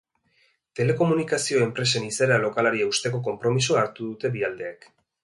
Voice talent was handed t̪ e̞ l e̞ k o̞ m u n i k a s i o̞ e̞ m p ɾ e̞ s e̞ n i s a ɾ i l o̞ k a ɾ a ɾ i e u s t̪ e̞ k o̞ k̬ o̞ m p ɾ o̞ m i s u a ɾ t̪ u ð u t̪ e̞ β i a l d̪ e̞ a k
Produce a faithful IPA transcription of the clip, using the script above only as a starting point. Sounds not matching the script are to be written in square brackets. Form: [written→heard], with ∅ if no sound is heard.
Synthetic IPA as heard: t̪ e̞ l e̞ k o̞ m u n i k a s i o̞ e̞ m p ɾ e̞ s e̞ n i s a ɾ [i→a] l o̞ k a [ɾ→l] a ɾ i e u s t̪ e̞ k o̞ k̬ o̞ m p ɾ o̞ m i s u a ɾ t̪ u ð u t̪ e̞ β i a l d̪ e̞ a k